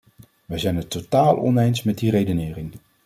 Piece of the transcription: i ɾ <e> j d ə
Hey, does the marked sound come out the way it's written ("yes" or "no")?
yes